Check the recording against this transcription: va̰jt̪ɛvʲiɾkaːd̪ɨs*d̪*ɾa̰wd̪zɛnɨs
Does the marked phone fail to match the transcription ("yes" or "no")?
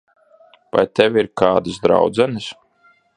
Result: no